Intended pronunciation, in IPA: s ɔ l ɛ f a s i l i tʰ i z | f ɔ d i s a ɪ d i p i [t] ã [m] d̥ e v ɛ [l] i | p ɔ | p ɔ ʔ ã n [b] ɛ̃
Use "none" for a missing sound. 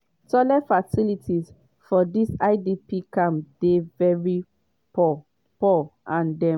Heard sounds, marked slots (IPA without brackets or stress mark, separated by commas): k, m, ɹ, d